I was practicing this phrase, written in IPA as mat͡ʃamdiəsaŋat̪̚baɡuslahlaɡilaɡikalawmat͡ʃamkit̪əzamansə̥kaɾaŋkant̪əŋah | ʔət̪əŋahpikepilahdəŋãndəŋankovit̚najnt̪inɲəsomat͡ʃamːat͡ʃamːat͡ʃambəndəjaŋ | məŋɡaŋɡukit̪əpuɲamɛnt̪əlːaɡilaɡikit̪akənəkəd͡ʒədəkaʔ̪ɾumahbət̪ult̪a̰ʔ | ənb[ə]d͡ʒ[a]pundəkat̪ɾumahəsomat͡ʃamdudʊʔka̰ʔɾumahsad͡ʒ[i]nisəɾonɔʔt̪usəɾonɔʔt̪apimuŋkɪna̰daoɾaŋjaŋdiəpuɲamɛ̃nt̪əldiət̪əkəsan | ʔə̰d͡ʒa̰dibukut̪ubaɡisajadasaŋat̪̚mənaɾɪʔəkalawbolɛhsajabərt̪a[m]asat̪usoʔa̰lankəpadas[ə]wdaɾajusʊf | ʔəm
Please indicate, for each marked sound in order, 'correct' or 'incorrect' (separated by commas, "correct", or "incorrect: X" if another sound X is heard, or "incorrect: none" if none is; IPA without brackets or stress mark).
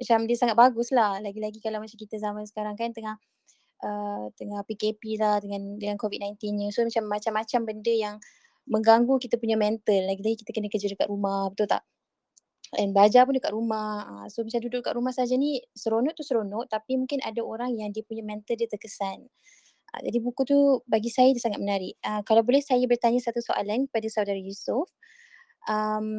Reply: incorrect: a, correct, incorrect: a, incorrect: ɲ, incorrect: a